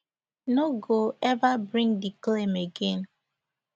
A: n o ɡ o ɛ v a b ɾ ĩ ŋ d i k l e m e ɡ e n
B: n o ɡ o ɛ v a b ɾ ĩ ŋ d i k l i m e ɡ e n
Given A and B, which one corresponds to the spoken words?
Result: A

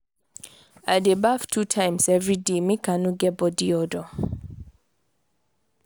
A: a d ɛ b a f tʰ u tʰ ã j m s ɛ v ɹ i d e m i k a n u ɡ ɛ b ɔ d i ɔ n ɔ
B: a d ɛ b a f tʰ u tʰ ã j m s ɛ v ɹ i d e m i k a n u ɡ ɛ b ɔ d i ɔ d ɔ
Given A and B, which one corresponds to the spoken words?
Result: B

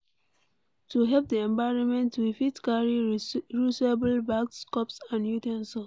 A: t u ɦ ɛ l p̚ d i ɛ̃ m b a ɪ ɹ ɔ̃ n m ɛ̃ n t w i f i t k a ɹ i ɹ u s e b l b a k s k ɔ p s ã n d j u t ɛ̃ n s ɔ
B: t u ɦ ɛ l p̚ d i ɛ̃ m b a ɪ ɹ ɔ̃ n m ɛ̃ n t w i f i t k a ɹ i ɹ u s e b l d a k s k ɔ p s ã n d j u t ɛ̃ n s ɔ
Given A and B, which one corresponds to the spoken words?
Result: A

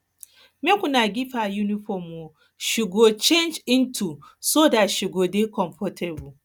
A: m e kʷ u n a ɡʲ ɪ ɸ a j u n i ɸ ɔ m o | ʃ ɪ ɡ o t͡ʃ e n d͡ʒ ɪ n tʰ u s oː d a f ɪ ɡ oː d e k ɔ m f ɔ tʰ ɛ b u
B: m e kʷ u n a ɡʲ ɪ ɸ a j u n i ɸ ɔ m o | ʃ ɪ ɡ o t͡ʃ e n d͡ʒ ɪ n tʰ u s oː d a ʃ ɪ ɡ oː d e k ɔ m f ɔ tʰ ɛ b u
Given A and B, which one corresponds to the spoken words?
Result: B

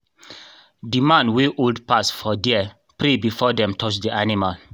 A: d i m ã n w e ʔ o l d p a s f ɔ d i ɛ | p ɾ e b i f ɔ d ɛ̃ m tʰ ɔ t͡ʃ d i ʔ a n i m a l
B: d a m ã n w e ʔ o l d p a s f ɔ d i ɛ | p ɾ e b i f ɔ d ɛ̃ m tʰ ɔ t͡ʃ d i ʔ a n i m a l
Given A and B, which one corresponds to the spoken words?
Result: A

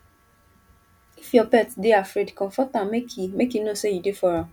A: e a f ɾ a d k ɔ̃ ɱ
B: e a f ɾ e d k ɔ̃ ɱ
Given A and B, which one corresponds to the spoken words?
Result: B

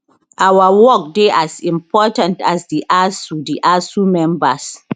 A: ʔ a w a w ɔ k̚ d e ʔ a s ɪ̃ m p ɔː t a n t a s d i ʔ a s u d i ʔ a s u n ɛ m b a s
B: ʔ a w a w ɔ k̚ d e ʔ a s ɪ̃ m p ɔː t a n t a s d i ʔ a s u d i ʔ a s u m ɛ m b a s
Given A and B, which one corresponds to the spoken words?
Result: B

